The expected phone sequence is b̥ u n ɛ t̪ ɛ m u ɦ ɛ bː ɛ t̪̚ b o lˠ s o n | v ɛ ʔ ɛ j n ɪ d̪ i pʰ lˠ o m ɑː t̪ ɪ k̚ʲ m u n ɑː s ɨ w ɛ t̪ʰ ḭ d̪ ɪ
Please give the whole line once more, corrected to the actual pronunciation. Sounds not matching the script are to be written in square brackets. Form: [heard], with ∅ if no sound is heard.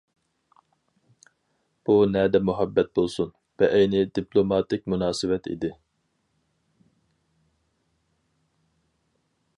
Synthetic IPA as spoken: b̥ u n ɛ [d̪] ɛ m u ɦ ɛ bː ɛ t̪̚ b o lˠ s [u] n | v ɛ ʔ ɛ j n ɪ d̪ i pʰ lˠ o m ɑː t̪ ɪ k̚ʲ m u n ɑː s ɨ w ɛ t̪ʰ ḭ d̪ ɪ